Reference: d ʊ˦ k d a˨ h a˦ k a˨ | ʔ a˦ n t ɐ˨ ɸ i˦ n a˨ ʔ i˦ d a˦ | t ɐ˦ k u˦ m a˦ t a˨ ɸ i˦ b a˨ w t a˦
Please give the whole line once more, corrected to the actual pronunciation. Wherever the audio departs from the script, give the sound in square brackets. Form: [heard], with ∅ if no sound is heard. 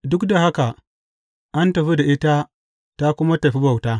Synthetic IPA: d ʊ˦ k d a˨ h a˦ k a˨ | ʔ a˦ n t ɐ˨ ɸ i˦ [d] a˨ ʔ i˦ [t] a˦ | t [a˦] k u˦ m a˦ t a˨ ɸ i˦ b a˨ w t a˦